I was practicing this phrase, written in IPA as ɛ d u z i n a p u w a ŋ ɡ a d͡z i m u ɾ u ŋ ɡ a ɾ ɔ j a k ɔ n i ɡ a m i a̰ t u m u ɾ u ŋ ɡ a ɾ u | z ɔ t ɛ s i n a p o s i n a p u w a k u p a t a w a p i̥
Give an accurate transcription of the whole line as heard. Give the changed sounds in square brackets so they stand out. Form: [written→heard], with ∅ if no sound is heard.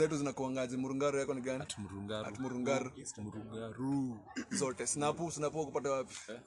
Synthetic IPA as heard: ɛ [d→t] u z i n a [p→k] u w a ŋ ɡ a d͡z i m u ɾ u ŋ ɡ a ɾ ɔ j a k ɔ n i ɡ a [m→n] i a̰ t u m u ɾ u ŋ ɡ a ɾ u | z ɔ t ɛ s i n a p [o→u] s i n a p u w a k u p a t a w a p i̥